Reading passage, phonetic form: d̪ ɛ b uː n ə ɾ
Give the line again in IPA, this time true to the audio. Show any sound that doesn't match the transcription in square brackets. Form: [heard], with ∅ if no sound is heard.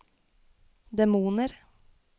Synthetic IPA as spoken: d̪ ɛ [m] uː n ə ɾ